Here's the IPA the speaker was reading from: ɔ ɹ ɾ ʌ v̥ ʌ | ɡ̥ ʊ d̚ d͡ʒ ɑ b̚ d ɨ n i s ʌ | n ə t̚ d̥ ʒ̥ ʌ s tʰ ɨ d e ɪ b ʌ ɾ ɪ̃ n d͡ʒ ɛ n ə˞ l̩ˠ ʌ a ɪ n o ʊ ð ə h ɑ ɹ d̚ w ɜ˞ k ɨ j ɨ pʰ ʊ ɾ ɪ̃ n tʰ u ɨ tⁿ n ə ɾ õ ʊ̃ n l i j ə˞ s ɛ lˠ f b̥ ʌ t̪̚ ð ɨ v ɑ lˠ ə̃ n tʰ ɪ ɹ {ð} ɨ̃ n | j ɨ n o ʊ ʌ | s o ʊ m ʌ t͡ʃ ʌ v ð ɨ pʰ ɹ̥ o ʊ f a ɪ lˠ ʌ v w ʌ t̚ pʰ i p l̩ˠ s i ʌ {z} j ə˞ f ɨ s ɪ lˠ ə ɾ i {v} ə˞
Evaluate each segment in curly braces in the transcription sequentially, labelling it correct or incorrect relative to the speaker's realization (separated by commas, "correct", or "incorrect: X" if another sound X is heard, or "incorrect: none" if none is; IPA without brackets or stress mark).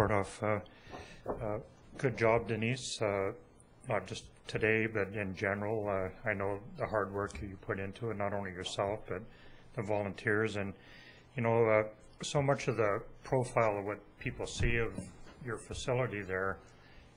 incorrect: z, incorrect: v, incorrect: ð